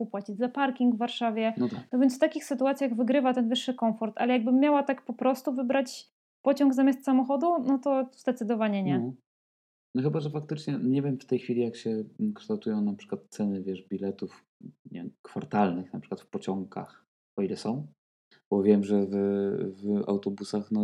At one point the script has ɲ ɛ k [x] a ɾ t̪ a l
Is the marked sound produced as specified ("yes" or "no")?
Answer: no